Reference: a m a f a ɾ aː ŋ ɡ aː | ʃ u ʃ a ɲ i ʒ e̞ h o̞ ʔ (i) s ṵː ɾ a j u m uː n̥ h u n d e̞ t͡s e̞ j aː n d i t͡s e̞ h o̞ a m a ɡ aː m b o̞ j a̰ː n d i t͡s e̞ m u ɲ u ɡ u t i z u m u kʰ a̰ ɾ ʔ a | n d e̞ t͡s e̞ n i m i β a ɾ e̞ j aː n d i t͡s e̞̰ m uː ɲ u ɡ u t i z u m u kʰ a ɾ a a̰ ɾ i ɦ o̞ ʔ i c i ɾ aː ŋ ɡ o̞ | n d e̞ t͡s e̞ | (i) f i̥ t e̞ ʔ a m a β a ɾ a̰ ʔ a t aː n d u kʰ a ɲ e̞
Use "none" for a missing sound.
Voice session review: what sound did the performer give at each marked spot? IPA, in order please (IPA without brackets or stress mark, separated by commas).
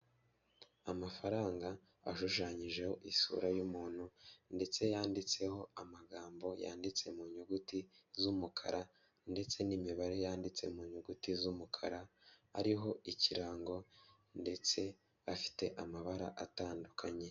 i, a